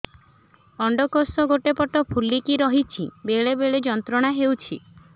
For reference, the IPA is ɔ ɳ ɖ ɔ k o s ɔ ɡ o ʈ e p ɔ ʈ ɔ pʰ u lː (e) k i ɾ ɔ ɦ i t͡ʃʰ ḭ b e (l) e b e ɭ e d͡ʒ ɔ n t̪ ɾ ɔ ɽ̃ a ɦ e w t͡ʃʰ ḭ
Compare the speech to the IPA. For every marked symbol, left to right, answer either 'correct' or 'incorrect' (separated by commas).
incorrect, incorrect